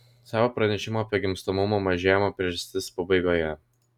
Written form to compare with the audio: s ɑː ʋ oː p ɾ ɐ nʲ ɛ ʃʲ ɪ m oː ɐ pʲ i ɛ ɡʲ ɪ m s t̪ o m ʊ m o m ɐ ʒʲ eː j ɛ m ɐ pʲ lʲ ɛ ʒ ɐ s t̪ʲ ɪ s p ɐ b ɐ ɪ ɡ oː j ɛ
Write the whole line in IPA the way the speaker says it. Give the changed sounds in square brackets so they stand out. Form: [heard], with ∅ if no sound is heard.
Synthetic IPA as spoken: s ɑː ʋ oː p ɾ ɐ nʲ ɛ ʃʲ ɪ m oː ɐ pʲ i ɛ ɡʲ ɪ m s t̪ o m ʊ m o m ɐ ʒʲ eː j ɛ m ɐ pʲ [ɾʲ] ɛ ʒ ɐ s t̪ʲ ɪ s p ɐ b ɐ ɪ ɡ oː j ɛ